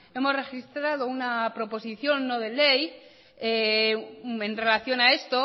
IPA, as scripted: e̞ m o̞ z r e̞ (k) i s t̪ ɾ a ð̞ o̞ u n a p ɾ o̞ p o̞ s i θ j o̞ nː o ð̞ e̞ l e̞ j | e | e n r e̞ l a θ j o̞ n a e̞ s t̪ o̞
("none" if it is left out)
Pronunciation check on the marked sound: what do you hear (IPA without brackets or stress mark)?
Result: x